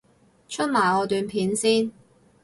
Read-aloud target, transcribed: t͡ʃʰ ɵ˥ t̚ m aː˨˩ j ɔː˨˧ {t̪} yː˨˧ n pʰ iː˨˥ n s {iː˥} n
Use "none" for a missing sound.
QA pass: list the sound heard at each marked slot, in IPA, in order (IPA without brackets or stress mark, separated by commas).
t̪, iː˥